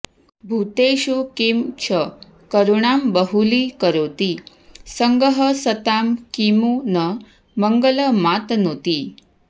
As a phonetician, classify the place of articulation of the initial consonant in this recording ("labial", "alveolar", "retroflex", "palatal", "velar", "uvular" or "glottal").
labial